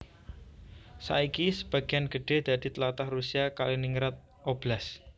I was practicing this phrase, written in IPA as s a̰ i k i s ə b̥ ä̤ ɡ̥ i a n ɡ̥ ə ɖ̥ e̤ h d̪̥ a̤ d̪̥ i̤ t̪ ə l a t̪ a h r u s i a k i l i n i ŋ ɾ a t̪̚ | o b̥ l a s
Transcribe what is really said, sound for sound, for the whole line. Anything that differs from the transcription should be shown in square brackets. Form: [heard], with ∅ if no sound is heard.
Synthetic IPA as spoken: s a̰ i k i s ə b̥ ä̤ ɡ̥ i a n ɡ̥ ə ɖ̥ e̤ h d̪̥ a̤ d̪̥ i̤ t̪ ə l a t̪ a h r u s i a k [a] l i n i ŋ ɾ a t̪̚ | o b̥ l a s